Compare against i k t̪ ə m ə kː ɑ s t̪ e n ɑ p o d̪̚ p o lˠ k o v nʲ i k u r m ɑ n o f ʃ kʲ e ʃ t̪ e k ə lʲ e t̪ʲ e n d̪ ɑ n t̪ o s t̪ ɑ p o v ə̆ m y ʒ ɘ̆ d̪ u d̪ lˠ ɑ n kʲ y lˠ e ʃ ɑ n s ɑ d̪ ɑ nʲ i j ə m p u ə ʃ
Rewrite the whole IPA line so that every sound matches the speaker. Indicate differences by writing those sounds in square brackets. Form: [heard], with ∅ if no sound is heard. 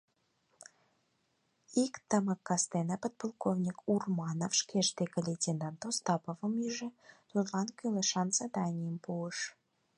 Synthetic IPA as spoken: i k t̪ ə m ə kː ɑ s t̪ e n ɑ p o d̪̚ p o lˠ k o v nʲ i k u r m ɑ n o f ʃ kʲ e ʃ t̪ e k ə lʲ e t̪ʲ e n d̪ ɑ n t̪ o s t̪ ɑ p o v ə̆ m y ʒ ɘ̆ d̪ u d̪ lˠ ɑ n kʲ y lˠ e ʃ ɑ n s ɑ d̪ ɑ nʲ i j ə m p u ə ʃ